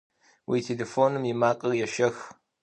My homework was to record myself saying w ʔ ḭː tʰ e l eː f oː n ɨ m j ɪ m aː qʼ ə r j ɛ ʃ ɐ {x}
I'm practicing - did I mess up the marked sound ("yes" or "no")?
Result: no